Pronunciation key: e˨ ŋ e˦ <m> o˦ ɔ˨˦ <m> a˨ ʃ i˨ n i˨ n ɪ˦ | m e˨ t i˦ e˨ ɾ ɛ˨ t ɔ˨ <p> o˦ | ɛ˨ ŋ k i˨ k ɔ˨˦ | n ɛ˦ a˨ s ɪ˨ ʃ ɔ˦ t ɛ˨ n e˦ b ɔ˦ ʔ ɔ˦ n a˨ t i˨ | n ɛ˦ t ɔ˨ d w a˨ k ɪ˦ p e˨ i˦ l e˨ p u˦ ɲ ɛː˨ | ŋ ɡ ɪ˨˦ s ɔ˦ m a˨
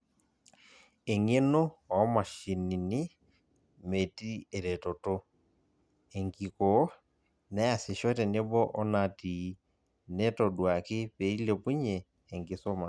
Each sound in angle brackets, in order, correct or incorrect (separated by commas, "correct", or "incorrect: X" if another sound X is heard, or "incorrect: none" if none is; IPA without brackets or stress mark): incorrect: n, correct, incorrect: t